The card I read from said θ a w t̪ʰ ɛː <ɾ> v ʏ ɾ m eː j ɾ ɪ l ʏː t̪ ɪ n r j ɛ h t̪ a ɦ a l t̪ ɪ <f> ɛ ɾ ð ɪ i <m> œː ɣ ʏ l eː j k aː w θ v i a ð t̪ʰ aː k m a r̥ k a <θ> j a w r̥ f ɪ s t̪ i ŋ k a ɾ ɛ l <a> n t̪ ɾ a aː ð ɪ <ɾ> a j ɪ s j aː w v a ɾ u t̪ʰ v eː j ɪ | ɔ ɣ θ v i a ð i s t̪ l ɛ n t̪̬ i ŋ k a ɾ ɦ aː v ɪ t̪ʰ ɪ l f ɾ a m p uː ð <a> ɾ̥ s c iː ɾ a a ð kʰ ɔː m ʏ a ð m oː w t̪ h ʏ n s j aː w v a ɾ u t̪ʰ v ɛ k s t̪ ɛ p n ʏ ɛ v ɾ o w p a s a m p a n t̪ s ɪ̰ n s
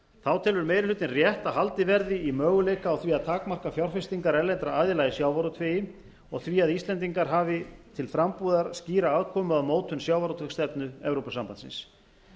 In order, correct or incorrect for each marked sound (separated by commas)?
incorrect, incorrect, correct, incorrect, incorrect, incorrect, correct